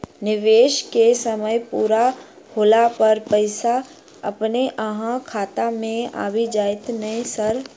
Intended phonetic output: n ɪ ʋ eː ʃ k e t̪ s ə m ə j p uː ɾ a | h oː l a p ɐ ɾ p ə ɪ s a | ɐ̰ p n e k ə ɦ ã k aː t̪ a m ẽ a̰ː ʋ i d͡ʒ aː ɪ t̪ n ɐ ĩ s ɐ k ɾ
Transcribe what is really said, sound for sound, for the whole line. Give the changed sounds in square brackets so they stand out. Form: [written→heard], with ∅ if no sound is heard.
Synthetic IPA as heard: n ɪ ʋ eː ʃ k e [t̪→∅] s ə m ə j p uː ɾ a | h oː l a p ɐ ɾ p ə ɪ s a | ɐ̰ p n e [k→ʔ] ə ɦ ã [k→kʰ] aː t̪ a m ẽ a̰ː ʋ i d͡ʒ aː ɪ t̪ n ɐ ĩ s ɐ [k→∅] ɾ